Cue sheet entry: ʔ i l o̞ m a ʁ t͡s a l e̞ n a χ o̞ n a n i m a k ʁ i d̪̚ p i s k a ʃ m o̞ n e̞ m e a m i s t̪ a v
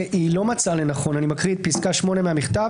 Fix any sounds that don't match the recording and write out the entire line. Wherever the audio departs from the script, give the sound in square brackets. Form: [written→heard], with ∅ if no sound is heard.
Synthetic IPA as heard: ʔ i l o̞ m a [ʁ→∅] t͡s a l e̞ n a χ o̞ n a n i m a k ʁ i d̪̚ p i s k a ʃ m o̞ n e̞ m e a m i [s→χ] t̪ a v